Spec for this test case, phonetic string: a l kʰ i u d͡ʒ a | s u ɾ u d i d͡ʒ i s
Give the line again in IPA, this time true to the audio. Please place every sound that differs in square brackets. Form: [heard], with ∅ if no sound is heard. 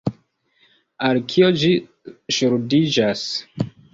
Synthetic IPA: a l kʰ i [o] d͡ʒ [i] | [ʃ] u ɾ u d i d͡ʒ [a] s